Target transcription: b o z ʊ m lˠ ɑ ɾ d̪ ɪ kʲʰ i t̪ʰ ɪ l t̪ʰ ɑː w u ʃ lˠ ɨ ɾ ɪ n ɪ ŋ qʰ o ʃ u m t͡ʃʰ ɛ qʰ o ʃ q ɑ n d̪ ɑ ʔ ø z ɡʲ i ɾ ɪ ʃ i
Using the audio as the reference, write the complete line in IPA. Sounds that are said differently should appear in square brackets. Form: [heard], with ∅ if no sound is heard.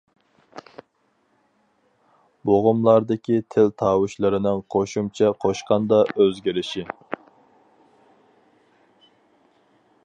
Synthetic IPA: b o [ʁ] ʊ m lˠ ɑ ɾ d̪ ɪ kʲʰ i t̪ʰ ɪ l t̪ʰ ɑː w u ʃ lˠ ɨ ɾ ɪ n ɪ ŋ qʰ o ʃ u m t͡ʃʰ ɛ qʰ o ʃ q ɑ n d̪ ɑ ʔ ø z ɡʲ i ɾ ɪ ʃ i